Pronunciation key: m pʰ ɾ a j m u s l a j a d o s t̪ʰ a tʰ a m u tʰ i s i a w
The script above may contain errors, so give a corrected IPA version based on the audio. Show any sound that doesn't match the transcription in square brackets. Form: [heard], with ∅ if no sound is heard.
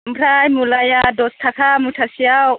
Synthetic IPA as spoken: m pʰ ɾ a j m u [∅] l a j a d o s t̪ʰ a [kʰ] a m u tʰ [a] s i a w